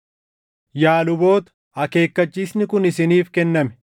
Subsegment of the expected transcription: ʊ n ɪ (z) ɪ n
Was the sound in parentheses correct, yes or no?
no